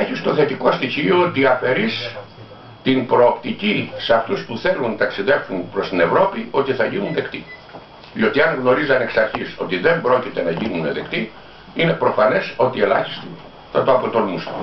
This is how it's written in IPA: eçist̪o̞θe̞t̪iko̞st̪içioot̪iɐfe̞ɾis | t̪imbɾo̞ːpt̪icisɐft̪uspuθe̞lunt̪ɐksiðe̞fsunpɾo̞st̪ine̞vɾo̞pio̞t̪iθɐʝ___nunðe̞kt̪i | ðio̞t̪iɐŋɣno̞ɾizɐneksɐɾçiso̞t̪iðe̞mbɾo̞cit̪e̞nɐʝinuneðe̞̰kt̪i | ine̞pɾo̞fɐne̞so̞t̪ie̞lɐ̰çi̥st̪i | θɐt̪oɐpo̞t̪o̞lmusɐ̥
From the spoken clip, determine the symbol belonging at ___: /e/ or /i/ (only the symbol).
i